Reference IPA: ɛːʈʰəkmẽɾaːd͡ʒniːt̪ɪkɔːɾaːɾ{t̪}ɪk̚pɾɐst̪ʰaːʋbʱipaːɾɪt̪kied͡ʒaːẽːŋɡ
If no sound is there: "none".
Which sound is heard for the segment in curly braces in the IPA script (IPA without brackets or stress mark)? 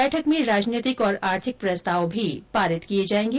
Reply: t̪ʰ